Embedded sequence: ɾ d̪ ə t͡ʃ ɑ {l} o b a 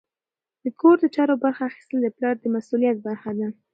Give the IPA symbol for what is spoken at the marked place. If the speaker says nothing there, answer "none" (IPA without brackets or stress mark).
ɾ